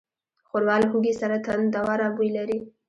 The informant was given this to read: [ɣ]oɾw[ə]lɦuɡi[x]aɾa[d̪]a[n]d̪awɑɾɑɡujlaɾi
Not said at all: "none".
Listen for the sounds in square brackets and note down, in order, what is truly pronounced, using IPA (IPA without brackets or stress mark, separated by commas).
x, ɑ, s, t̪, n